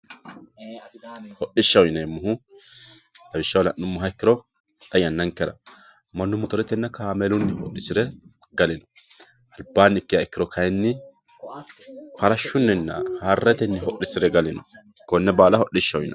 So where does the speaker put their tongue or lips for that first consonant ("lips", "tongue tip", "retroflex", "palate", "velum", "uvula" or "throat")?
throat